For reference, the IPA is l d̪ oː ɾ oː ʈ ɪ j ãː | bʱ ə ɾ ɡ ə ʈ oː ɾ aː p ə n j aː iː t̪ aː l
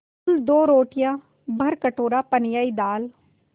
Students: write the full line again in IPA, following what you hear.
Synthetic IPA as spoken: l d̪ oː ɾ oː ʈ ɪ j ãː | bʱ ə ɾ k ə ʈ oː ɾ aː p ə n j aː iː d̪ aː l